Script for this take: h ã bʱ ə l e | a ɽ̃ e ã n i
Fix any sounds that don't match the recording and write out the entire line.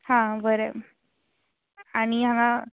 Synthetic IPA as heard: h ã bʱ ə ɾ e | a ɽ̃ i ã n a